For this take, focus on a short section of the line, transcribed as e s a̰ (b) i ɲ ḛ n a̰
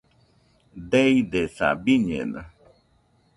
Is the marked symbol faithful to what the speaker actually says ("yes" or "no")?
yes